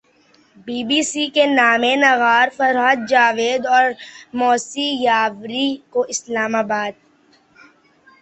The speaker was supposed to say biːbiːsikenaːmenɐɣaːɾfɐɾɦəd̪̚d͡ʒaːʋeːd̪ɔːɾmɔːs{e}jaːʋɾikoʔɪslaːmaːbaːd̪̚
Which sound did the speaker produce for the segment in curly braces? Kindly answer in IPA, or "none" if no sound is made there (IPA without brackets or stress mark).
i